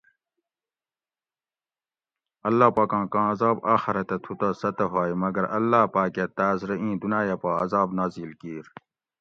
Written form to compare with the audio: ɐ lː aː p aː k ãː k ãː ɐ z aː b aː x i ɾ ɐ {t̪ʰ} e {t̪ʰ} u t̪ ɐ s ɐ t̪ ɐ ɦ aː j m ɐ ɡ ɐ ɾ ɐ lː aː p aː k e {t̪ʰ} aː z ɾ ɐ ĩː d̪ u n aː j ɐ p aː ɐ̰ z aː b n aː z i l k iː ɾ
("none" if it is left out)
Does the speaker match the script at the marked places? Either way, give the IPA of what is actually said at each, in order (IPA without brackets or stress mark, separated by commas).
t̪, t̪ʰ, t̪